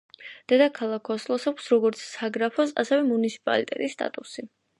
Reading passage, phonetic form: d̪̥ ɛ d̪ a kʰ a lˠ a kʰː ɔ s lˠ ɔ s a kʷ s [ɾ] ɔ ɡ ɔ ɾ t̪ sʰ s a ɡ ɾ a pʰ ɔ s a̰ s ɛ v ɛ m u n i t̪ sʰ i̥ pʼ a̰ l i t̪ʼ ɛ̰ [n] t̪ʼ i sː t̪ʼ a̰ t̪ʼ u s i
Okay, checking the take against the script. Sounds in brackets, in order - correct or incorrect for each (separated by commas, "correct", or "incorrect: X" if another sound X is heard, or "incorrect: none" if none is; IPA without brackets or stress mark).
correct, incorrect: none